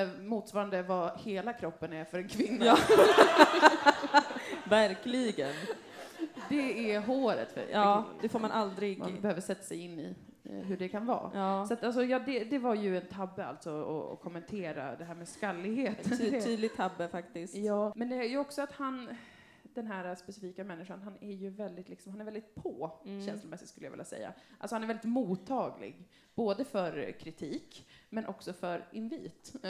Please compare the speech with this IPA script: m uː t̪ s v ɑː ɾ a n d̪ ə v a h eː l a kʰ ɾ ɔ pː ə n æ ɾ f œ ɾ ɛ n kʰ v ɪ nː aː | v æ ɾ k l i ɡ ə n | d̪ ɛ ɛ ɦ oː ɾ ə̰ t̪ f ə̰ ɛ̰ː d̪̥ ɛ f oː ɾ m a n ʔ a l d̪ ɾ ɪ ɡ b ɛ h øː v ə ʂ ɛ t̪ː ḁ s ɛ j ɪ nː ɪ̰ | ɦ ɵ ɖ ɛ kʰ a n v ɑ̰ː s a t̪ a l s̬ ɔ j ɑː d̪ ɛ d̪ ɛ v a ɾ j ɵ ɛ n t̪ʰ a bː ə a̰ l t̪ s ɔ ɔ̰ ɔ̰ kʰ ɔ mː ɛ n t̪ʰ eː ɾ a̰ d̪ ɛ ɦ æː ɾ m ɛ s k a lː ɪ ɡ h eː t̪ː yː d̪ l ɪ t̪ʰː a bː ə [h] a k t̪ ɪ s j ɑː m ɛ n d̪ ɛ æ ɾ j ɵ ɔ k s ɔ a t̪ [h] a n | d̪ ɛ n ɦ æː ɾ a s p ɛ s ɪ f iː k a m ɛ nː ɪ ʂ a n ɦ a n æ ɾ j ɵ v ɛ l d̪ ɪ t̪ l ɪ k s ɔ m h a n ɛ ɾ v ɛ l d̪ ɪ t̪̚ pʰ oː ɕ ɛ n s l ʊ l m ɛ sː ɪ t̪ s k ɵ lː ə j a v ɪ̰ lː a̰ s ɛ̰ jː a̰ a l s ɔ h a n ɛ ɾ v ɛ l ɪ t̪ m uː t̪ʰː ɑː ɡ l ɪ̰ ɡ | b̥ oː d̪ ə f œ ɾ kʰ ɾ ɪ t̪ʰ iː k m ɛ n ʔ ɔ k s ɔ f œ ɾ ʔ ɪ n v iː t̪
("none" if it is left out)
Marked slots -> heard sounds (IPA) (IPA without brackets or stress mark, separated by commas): f, h